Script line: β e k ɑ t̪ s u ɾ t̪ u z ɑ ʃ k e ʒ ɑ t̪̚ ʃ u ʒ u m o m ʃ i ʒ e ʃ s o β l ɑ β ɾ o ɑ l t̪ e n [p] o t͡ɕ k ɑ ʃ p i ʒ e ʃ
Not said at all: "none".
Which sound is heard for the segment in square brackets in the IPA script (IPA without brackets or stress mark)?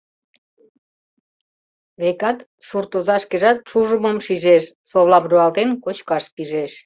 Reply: k